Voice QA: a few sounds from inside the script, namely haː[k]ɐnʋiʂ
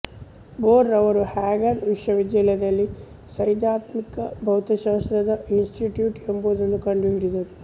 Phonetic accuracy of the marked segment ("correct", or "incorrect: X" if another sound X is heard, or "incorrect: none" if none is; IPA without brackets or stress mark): incorrect: ɡ